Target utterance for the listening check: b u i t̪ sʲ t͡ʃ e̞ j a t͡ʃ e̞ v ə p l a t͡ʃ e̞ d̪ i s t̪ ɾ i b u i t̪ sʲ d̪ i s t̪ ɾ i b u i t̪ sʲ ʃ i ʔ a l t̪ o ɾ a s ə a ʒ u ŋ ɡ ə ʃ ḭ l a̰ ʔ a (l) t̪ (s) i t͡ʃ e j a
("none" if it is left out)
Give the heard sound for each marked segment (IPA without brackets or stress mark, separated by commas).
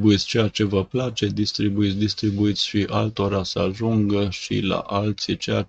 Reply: l, s